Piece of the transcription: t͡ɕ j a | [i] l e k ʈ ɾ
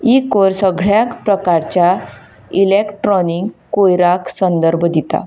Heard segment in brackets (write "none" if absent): i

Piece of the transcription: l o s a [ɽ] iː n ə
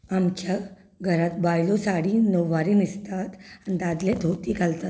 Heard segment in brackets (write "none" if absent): ɽ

